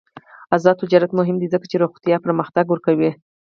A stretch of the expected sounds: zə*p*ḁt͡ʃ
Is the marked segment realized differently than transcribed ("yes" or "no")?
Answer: yes